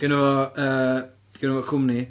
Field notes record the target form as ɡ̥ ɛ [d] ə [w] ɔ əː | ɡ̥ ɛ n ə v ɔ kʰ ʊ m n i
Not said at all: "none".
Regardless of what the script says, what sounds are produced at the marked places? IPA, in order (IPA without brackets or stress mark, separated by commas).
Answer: n, v